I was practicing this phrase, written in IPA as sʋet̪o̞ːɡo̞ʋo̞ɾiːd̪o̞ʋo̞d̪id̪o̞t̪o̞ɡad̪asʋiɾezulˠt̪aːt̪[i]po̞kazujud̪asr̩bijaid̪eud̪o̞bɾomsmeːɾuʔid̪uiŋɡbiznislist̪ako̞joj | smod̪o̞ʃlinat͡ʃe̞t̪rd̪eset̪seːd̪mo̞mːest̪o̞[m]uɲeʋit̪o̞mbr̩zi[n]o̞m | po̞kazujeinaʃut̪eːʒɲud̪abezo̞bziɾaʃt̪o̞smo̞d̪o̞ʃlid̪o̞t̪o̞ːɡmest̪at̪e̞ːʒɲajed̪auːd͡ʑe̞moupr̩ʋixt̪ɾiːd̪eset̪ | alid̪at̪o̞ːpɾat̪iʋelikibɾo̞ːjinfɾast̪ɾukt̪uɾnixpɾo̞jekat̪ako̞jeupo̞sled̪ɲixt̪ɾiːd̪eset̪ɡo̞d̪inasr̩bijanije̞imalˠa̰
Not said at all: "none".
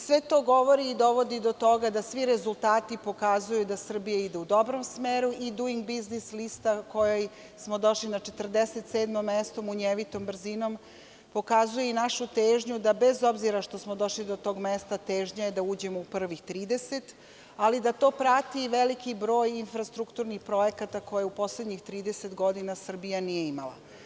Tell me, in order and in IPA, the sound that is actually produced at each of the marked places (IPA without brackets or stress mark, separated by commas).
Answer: i, m, n